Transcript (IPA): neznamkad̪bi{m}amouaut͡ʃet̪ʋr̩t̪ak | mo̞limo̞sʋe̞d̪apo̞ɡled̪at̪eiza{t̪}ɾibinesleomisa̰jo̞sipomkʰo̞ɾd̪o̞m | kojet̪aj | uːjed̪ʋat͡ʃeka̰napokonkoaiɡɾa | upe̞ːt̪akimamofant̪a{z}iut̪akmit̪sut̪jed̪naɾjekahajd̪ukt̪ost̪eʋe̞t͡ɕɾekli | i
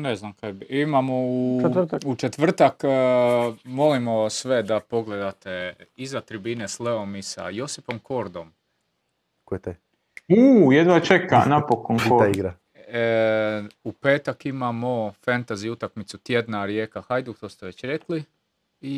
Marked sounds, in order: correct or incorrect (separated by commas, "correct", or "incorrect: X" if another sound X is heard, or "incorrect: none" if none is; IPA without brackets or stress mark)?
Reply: correct, correct, correct